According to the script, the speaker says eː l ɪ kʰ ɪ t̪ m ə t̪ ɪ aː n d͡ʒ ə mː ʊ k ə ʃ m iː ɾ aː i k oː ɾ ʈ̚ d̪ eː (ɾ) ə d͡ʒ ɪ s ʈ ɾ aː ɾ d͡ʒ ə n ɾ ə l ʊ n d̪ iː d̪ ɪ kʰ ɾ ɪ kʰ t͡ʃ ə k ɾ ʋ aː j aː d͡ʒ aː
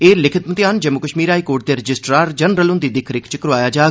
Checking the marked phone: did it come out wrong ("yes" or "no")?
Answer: no